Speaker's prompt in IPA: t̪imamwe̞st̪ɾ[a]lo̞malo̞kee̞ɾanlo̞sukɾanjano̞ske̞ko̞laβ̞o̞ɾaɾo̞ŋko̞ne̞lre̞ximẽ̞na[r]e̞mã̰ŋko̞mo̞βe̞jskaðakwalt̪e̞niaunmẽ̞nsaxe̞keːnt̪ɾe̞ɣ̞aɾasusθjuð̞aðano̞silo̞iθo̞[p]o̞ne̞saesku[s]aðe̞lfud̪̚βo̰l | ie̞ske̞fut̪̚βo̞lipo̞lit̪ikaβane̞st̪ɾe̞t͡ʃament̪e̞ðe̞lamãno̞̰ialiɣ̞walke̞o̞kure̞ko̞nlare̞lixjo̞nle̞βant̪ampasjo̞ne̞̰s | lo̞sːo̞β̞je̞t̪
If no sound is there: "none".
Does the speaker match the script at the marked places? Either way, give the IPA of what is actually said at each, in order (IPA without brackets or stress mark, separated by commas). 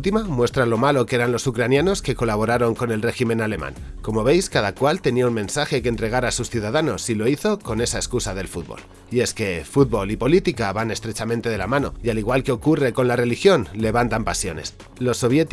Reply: a, l, k, s